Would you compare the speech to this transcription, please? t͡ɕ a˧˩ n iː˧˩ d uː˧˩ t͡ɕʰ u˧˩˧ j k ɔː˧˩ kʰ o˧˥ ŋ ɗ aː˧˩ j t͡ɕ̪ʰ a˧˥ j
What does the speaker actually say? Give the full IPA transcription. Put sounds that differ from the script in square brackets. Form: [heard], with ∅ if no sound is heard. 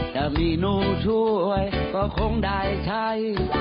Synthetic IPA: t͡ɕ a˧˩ [m] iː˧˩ [n] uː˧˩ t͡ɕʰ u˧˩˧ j k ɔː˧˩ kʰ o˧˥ ŋ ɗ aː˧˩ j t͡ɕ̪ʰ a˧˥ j